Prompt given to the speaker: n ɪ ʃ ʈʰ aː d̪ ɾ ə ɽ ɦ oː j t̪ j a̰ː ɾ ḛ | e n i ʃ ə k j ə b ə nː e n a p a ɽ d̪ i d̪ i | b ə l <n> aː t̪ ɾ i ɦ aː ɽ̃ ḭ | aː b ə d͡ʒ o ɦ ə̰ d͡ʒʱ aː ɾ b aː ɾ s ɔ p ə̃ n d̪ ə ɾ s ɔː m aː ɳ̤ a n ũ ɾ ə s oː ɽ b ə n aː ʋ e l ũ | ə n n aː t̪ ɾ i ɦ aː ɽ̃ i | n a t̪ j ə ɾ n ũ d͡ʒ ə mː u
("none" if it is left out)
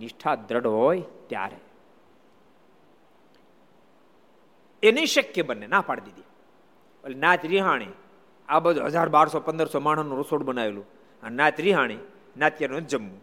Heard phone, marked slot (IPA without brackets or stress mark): n